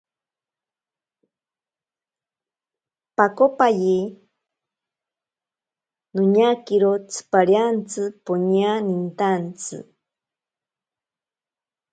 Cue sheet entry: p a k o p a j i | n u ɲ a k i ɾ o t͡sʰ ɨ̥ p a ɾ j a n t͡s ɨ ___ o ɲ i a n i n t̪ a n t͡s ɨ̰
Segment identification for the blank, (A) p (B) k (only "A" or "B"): A